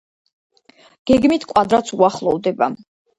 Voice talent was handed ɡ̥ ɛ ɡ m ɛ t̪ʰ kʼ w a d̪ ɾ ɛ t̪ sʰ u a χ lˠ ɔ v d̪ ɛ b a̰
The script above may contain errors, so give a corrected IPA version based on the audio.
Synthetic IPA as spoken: ɡ̥ ɛ ɡ m i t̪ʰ kʼ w a d̪ ɾ a t̪ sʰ u a χ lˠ ɔ v d̪ ɛ b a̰